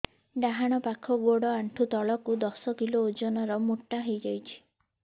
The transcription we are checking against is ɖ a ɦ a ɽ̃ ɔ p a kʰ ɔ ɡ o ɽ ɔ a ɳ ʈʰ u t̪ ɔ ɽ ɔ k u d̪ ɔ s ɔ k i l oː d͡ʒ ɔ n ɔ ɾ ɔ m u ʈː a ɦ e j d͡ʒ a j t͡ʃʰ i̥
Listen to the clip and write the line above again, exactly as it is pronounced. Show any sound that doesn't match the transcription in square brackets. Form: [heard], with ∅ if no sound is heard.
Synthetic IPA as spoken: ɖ a ɦ a ɽ̃ ɔ p a kʰ ɔ ɡ o ɽ ɔ a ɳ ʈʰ u t̪ ɔ [ɭ] ɔ k u d̪ ɔ s ɔ k i l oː d͡ʒ ɔ n ɔ ɾ ɔ m u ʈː a ɦ e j d͡ʒ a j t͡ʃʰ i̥

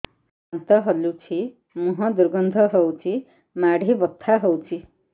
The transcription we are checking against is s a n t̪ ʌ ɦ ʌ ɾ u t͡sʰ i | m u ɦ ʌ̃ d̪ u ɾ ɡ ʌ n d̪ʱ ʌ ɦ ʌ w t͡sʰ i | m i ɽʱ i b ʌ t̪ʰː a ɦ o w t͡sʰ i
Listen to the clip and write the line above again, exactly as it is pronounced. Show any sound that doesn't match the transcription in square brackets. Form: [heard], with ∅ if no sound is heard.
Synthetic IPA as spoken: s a n t̪ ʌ ɦ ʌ [l] u t͡sʰ i | m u ɦ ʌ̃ d̪ u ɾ ɡ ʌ n d̪ʱ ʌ ɦ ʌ w t͡sʰ i | m [a] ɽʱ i b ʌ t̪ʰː a ɦ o w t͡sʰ i

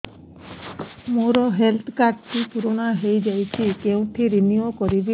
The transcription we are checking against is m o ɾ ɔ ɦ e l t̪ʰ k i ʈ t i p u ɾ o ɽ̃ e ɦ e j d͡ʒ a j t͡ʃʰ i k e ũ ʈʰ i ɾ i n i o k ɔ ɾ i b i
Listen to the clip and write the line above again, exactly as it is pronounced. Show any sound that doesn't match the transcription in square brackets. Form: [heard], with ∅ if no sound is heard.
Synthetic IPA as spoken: m o ɾ ɔ ɦ e l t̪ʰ k [a] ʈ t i p u ɾ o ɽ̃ [a] ɦ e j d͡ʒ a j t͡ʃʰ i k e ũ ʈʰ i ɾ i n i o k ɔ ɾ i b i

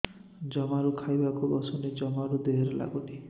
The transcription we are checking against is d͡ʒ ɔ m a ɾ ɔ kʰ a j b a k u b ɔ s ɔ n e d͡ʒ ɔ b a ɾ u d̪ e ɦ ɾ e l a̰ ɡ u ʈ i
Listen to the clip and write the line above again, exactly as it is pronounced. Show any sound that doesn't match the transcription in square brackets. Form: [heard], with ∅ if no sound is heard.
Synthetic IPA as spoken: d͡ʒ ɔ m a ɾ [u] kʰ a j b a k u b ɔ s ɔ n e d͡ʒ ɔ [m] a ɾ u d̪ e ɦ ɾ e l a̰ ɡ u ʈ i

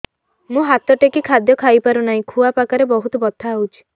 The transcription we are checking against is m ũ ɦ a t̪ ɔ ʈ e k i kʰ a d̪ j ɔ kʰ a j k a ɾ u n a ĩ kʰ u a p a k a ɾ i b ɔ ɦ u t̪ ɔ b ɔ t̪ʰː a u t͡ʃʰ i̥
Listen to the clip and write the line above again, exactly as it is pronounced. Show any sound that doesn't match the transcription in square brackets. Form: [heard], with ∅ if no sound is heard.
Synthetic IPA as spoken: m ũ ɦ a t̪ ɔ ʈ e k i kʰ a d̪ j ɔ kʰ a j [p] a ɾ u n a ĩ kʰ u a p a k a ɾ [e] b ɔ ɦ u t̪ ɔ b ɔ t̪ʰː a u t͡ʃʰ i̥

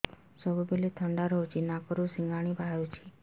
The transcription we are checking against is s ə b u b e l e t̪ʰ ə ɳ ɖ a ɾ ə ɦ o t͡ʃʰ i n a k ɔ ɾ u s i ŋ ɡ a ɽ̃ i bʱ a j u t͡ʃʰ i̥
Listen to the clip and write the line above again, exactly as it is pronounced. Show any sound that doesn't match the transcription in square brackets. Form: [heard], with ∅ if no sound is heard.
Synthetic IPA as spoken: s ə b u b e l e t̪ʰ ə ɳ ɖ a ɾ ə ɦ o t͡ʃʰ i n a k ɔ ɾ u s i ŋ ɡ a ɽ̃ i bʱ a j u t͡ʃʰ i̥

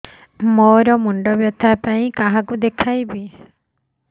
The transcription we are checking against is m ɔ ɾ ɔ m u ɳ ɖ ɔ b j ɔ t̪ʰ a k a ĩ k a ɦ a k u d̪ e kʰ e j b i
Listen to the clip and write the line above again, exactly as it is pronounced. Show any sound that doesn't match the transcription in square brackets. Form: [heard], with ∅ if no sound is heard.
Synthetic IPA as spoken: m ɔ ɾ ɔ m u ɳ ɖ ɔ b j ɔ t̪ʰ a [p] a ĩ k a ɦ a k u d̪ e kʰ [a] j b i

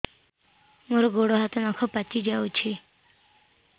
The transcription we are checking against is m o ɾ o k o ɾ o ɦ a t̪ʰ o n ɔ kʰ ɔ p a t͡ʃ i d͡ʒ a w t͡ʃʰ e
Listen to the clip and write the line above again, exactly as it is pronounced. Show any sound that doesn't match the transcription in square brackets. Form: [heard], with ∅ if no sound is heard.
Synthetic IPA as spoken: m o ɾ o [ɡ] o [ɽ] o ɦ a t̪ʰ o n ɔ kʰ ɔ p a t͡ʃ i d͡ʒ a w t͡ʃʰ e

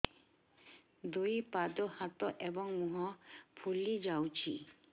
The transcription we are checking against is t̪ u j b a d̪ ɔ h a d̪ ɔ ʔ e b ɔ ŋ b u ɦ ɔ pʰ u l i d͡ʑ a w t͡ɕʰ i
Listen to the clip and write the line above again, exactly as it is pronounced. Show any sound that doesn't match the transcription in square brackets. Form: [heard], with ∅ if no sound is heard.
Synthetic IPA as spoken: [d̪] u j [p] a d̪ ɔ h a [t̪] ɔ ʔ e b ɔ ŋ [m] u ɦ ɔ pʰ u l i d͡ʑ a w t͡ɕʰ i

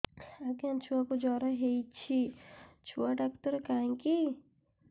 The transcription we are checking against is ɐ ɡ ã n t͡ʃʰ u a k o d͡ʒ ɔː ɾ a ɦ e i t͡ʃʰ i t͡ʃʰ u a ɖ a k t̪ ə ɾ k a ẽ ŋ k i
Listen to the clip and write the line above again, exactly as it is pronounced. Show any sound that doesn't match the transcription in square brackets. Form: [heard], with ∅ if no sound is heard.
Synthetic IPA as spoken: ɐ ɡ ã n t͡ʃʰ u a k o d͡ʒ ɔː ɾ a ɦ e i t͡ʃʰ i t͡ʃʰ u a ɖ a k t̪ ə ɾ k a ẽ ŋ k i

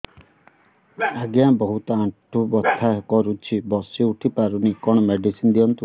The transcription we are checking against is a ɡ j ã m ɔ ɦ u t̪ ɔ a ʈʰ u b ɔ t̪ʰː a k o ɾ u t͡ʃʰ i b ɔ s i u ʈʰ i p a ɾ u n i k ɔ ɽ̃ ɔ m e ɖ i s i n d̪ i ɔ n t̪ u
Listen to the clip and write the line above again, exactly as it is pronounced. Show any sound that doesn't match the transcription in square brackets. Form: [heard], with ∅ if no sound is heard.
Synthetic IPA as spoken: a ɡ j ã [b] ɔ ɦ u t̪ ɔ a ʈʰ u b ɔ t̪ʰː a k [ɔ] ɾ u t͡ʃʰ i b ɔ s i u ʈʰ i p a ɾ u n i k ɔ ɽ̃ ɔ m e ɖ i s i n d̪ i ɔ n t̪ u

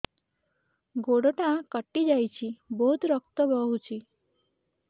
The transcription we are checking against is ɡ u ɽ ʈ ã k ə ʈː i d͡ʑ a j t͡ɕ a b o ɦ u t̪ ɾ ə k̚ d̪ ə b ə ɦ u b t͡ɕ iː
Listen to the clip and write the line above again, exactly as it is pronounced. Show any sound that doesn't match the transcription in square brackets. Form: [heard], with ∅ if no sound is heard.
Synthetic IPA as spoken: ɡ [o] ɽ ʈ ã k ə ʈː i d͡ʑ a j t͡ɕ [i] b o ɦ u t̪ ɾ ə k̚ [t̪] ə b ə ɦ u [∅] t͡ɕ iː

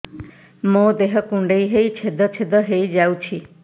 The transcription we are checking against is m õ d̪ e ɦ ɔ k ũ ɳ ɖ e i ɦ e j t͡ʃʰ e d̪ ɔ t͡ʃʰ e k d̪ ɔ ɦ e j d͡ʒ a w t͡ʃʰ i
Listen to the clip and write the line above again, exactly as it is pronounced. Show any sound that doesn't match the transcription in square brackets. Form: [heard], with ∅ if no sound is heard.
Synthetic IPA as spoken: m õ d̪ e ɦ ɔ k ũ ɳ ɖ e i ɦ e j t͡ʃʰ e d̪ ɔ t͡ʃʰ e [∅] d̪ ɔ ɦ e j d͡ʒ a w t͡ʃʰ i

